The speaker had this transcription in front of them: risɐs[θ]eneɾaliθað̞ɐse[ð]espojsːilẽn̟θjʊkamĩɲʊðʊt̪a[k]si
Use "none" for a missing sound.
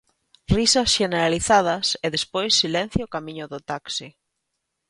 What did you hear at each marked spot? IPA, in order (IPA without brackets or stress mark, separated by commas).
ʃ, ð, k